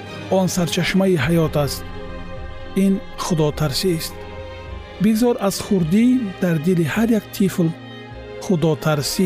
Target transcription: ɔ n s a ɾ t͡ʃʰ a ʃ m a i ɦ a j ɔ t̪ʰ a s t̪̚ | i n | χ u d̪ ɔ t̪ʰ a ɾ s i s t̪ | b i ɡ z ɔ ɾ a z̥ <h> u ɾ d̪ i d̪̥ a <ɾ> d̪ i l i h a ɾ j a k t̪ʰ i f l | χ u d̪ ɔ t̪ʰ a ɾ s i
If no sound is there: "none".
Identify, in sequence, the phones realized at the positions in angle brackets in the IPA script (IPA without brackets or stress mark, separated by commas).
χ, ɾ